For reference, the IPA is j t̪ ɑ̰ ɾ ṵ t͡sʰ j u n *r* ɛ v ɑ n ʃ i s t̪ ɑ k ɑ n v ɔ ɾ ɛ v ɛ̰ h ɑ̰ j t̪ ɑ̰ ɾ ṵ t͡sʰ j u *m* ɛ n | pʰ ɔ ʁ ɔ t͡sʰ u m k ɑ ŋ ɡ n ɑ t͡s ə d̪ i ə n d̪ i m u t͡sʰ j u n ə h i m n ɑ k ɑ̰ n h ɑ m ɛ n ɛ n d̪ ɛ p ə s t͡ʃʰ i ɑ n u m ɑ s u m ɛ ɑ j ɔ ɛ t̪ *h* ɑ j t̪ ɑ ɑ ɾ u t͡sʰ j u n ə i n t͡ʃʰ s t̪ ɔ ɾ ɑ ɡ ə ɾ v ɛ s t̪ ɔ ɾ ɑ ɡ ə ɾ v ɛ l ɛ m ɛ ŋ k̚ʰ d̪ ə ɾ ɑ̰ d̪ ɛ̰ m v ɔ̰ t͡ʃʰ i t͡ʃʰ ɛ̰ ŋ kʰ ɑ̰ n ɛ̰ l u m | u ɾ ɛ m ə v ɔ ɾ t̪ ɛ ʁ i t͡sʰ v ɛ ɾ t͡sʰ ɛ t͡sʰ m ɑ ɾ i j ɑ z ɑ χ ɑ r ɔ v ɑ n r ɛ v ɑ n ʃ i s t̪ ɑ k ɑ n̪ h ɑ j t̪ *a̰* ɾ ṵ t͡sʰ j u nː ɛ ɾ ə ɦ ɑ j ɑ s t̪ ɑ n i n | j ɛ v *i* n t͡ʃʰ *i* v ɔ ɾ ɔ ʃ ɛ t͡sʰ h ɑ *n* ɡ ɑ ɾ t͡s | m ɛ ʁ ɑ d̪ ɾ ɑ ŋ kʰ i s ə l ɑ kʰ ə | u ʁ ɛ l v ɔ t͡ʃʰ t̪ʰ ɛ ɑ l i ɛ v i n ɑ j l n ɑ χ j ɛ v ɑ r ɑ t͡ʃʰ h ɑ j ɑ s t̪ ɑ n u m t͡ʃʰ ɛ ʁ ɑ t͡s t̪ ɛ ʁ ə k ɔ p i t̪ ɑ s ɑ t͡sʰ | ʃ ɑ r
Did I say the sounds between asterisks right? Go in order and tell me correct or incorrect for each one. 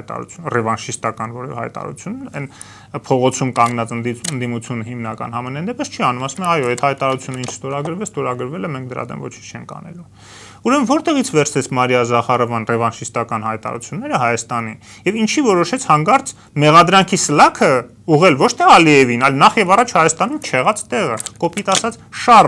correct, incorrect: n, correct, incorrect: ɑ̰, correct, correct, incorrect: ŋ

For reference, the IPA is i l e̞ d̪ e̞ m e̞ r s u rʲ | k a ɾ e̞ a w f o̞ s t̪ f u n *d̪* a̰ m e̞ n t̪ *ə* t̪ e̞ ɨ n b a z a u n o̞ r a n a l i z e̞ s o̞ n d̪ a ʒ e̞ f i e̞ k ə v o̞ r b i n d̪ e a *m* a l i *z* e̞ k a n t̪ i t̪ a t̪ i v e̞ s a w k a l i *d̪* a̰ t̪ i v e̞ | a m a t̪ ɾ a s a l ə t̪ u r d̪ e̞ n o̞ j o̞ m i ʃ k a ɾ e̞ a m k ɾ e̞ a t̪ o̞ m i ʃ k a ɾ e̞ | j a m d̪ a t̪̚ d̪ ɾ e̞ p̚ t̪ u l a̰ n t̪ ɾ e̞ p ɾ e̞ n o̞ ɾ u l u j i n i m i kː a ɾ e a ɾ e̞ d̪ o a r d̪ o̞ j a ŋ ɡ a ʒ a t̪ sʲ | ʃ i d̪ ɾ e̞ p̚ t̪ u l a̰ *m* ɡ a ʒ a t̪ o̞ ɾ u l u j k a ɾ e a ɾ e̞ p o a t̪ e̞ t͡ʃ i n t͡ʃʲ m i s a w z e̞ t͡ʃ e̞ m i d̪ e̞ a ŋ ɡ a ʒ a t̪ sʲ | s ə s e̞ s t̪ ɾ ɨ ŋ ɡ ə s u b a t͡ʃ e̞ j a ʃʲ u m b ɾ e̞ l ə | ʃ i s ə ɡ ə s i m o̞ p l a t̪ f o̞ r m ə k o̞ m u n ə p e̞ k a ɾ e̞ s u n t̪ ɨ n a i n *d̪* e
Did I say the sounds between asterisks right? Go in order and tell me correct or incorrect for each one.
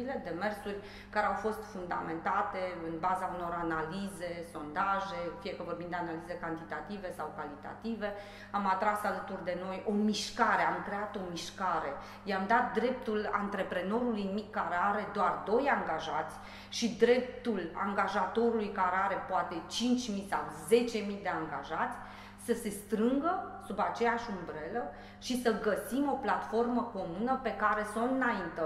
correct, incorrect: a, incorrect: n, correct, incorrect: t̪, incorrect: ŋ, incorrect: t̪

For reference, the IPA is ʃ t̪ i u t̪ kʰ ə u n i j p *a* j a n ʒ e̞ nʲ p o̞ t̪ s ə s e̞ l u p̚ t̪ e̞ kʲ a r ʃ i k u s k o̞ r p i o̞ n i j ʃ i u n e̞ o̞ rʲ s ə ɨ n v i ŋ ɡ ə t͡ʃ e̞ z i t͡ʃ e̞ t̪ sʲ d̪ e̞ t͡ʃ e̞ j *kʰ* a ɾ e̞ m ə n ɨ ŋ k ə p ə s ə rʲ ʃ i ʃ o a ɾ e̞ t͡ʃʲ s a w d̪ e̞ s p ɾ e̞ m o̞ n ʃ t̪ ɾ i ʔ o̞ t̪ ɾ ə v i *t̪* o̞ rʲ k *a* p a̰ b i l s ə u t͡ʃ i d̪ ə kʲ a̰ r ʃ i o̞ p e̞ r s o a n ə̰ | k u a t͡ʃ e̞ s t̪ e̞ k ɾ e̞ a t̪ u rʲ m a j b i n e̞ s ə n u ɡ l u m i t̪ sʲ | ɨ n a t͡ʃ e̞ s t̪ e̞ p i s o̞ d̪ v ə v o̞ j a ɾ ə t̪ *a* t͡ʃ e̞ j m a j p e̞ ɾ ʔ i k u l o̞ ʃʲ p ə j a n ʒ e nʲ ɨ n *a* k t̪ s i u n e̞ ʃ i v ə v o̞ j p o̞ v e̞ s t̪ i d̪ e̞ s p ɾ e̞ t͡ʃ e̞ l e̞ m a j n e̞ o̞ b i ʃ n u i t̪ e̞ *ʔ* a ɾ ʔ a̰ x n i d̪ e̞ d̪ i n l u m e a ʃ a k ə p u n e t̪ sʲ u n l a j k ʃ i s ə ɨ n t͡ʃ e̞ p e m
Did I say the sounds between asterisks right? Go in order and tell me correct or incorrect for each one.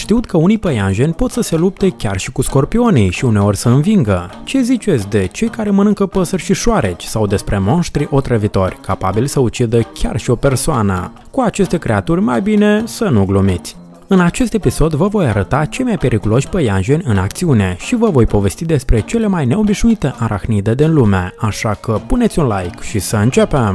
incorrect: ə, incorrect: k, correct, correct, correct, correct, correct

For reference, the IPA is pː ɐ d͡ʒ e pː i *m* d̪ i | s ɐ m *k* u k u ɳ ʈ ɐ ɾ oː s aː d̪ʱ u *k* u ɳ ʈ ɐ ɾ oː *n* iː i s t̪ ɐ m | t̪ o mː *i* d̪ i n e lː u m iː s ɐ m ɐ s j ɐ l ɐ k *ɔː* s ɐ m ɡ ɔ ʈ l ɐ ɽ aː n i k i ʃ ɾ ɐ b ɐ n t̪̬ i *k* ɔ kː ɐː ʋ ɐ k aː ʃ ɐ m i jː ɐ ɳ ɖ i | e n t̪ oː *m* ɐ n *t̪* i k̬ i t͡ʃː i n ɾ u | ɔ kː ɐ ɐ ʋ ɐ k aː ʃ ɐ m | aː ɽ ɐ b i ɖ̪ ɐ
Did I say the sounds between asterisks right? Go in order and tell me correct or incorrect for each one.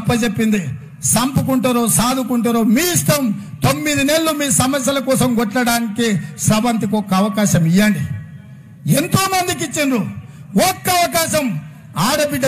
incorrect: n, incorrect: p, correct, incorrect: m, correct, correct, correct, correct, incorrect: d̪

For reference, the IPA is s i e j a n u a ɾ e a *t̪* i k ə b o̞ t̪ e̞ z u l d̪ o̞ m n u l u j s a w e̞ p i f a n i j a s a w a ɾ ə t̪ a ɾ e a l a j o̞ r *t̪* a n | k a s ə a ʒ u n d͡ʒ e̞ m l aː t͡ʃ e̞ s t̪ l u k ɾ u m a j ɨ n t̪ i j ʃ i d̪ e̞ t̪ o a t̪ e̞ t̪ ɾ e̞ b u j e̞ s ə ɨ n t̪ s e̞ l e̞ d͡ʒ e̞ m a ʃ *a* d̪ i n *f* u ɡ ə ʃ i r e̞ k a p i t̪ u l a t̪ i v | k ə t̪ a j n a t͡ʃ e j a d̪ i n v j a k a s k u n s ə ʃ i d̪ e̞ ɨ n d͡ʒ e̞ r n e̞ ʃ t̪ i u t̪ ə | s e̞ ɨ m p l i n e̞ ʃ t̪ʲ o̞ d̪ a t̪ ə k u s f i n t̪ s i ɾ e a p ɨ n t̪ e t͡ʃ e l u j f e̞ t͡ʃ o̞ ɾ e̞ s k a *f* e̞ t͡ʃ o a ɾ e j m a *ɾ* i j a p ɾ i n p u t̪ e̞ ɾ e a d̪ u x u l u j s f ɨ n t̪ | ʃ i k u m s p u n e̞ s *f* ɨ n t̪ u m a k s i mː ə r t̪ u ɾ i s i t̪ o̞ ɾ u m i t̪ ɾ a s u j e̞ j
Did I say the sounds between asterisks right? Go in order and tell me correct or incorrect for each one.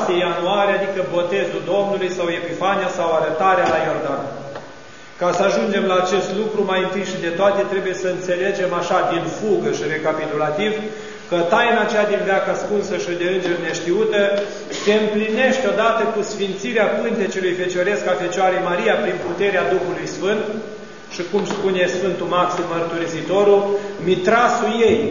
incorrect: d̪, incorrect: d̪, correct, correct, correct, correct, correct

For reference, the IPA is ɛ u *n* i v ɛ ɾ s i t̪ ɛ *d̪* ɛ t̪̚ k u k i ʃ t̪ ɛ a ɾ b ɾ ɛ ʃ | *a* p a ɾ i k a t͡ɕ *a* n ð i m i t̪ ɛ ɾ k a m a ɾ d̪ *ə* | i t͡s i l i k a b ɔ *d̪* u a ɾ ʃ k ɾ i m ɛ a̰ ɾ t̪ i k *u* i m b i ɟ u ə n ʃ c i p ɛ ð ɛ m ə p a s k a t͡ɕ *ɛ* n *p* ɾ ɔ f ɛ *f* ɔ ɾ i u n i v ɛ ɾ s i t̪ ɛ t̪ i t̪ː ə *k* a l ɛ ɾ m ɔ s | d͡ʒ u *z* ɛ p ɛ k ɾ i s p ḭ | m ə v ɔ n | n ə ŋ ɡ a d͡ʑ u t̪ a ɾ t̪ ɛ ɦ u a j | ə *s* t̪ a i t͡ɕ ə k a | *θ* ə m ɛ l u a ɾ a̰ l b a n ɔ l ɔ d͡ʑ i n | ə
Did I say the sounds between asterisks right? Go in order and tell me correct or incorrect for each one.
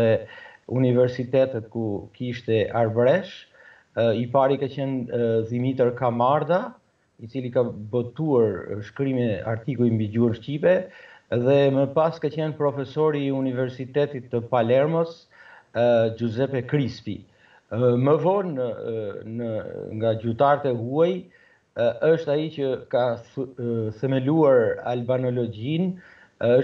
correct, incorrect: t̪, incorrect: i, incorrect: ɛ, incorrect: a, incorrect: t̪, correct, correct, correct, incorrect: s, incorrect: p, correct, incorrect: ʃ, correct

